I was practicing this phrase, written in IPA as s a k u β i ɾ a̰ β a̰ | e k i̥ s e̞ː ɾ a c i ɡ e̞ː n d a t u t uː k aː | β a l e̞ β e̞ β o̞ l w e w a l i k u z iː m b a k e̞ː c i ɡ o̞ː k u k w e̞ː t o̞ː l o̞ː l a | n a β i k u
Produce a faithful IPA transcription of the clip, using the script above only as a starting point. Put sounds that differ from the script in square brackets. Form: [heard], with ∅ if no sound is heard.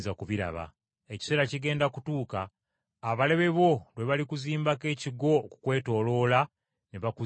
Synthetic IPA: [z] a k u β i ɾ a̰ β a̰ | e [c] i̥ s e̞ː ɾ a c i ɡ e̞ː n d a [k] u t uː k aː | β a l e̞ β e̞ β o̞ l w e [β] a l i k u z iː m b a k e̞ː c i ɡ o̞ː k u k w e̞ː t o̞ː l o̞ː l a | n [e] β [a] k u